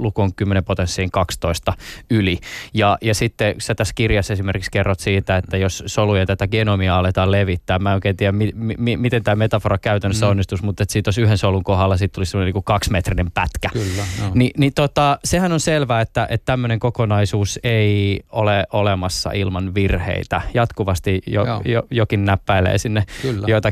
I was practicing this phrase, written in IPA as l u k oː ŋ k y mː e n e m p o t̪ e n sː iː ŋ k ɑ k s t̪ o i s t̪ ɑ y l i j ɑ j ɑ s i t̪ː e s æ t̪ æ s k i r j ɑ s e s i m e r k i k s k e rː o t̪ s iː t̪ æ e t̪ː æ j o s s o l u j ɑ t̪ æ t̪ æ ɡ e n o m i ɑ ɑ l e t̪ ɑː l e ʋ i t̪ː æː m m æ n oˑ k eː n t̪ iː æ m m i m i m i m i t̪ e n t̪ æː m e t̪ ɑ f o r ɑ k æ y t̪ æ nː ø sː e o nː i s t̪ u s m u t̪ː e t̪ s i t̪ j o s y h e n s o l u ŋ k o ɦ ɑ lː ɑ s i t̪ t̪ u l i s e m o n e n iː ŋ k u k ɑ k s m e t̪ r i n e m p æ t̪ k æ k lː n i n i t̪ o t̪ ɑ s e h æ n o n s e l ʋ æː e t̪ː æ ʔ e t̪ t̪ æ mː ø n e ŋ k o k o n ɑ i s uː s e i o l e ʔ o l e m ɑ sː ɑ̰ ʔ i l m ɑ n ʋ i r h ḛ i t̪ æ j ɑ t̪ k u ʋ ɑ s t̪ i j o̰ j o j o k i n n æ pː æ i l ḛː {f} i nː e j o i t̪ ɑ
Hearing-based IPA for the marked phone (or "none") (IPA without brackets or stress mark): s